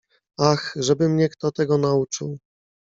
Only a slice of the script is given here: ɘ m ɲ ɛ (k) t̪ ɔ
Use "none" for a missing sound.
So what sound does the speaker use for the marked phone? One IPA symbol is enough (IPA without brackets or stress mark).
k